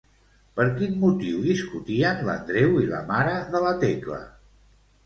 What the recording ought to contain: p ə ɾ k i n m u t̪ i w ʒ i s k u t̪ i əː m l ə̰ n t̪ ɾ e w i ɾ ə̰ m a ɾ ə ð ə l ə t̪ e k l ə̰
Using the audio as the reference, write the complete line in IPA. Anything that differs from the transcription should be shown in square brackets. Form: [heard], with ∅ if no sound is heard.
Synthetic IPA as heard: p ə ɾ k i n m u t̪ i w [ð] i s k u t̪ i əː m l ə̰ n [d̪] ɾ e w i [l] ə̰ m a ɾ ə ð ə l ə t̪ e k l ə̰